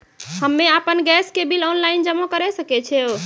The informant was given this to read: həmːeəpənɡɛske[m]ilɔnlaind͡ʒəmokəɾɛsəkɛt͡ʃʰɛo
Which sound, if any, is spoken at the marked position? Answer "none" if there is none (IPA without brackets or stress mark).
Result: b